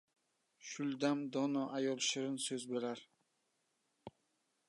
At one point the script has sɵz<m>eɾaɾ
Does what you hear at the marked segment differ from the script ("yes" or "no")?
yes